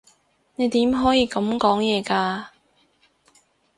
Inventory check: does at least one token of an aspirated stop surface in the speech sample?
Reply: no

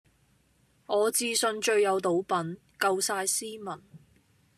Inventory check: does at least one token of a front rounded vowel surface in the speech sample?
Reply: no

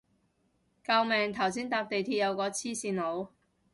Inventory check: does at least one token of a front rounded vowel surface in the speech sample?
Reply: no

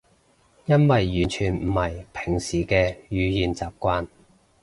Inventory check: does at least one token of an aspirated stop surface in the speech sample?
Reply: yes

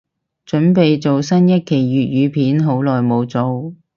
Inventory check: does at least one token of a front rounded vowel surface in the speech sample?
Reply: yes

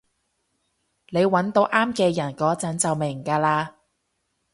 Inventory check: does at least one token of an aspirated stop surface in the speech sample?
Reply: no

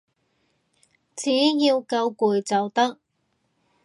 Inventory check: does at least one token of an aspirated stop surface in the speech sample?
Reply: no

